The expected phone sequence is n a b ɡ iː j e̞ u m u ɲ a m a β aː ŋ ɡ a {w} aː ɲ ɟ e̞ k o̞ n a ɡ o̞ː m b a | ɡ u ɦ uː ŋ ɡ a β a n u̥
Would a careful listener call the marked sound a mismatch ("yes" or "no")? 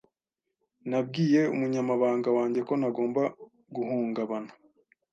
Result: no